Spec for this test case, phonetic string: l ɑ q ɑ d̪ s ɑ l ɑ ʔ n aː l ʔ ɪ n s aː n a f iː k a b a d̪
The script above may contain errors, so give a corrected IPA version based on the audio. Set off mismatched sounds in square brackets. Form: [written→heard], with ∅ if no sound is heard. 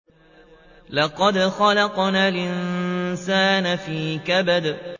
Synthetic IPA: l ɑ q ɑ d̪ [s→x] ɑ l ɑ [ʔ→q] n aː l ʔ ɪ n s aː n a f iː k a b a d̪